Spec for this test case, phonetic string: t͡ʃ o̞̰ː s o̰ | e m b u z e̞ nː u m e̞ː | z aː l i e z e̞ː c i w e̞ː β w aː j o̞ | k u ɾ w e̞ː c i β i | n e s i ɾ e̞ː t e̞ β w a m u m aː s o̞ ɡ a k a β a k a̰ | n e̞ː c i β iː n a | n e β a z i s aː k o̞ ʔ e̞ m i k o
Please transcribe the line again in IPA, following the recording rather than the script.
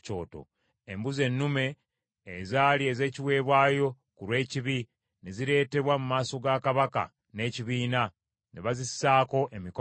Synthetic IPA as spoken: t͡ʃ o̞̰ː t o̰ | e m b u z e̞ nː u m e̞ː | z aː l i e z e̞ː c i w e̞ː β w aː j o̞ | k u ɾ w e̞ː c i β i | n e z i ɾ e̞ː t e̞ β w a m u m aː s o̞ ɡ a k a β a k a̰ | n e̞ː c i β iː n a | n e β a z i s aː k o̞ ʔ e̞ m i k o